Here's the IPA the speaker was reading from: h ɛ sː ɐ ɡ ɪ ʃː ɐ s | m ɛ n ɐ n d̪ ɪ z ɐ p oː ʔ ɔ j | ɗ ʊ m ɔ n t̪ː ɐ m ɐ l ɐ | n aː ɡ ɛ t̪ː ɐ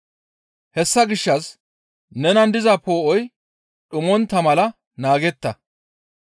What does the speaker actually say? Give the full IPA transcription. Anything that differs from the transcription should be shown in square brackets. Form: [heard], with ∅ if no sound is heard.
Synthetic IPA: h ɛ sː ɐ ɡ ɪ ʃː ɐ s | [n] ɛ n ɐ n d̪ ɪ z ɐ p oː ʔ ɔ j | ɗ ʊ m ɔ n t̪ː ɐ m ɐ l ɐ | n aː ɡ ɛ t̪ː ɐ